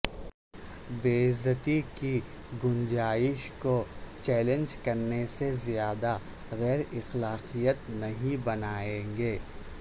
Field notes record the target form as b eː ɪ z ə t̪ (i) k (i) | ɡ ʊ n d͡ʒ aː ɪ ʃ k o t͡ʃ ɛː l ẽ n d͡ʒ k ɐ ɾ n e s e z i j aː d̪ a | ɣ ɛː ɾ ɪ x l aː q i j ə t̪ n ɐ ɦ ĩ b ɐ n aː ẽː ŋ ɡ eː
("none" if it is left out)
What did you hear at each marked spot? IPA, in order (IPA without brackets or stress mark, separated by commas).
i, i